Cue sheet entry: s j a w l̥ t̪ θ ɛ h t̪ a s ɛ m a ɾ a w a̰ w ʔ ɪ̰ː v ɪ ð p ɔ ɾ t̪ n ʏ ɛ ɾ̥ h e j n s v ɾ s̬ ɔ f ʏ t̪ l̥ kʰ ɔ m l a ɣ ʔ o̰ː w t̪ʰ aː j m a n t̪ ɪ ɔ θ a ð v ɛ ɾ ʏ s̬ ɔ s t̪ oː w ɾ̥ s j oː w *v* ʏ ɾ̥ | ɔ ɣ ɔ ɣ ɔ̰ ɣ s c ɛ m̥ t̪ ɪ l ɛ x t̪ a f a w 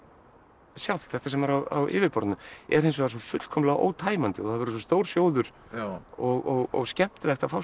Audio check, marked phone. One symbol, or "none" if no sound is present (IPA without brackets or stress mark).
ð